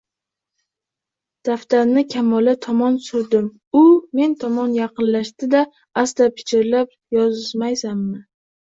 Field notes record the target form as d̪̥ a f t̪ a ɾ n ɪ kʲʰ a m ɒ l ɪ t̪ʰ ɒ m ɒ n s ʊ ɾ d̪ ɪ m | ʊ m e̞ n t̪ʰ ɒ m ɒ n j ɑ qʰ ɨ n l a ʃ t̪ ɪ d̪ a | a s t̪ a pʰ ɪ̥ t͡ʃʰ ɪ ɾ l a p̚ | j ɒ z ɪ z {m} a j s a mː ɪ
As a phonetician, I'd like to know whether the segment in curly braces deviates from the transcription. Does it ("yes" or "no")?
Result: no